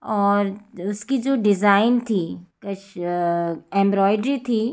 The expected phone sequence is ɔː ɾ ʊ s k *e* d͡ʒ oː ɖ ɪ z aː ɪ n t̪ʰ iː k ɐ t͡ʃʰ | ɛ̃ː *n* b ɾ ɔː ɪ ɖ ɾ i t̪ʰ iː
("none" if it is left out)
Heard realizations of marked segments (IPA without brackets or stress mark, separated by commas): i, m